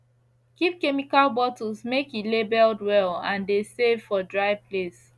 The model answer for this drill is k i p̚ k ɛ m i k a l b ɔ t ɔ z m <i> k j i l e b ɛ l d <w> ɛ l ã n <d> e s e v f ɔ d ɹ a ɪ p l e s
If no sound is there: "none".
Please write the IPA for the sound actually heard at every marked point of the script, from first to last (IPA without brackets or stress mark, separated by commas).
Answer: e, w, d